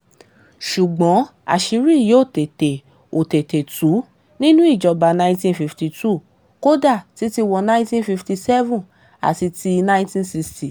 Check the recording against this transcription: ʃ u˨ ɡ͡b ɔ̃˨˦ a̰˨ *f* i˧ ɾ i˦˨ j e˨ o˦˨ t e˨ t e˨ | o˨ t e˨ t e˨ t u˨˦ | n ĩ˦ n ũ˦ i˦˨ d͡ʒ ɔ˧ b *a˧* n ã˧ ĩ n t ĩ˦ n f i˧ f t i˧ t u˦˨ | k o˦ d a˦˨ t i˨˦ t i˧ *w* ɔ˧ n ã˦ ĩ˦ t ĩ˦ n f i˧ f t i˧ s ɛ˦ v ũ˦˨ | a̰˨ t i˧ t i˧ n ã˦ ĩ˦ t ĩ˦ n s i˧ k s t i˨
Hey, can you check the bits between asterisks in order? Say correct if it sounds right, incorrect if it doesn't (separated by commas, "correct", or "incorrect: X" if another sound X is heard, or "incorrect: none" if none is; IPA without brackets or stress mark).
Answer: incorrect: ʃ, correct, correct